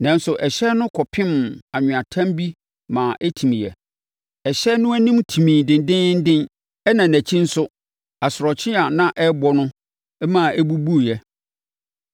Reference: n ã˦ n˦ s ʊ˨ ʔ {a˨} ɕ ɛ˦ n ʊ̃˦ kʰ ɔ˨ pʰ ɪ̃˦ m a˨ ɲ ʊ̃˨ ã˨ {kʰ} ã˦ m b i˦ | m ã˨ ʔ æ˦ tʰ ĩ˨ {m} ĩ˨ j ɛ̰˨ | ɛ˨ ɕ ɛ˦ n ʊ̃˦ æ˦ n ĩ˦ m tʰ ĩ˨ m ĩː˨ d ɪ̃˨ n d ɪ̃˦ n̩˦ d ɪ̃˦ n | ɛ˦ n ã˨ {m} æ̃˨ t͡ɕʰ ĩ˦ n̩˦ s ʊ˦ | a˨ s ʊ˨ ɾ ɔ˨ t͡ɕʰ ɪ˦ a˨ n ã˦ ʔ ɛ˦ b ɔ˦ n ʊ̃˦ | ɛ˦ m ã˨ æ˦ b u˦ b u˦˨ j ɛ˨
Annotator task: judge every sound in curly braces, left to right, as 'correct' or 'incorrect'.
incorrect: ɛ˨, incorrect: tʰ, correct, incorrect: n

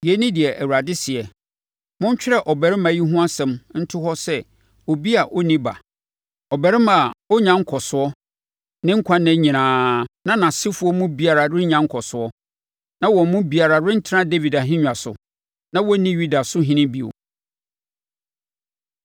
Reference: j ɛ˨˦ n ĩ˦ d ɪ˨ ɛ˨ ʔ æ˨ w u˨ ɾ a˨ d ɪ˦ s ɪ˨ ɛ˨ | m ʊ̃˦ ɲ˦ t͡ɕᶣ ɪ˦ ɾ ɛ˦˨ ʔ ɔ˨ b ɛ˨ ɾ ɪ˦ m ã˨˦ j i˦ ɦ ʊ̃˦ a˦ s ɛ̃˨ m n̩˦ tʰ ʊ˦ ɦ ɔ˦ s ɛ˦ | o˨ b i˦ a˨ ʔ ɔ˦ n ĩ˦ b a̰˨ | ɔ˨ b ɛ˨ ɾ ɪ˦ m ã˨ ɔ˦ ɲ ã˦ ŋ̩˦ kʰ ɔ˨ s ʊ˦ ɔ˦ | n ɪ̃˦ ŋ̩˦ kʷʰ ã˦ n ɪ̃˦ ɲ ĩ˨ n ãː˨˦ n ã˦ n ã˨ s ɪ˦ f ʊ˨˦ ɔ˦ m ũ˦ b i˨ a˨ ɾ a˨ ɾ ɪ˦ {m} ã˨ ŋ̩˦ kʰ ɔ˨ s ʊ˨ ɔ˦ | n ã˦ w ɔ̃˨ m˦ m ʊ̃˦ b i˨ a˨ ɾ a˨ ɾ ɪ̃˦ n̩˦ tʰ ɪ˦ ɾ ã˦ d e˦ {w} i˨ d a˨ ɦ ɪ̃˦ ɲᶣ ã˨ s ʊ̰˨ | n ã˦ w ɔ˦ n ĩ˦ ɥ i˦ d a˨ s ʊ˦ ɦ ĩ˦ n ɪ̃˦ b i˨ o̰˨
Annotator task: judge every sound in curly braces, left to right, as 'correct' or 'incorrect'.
incorrect: ɲ, incorrect: v

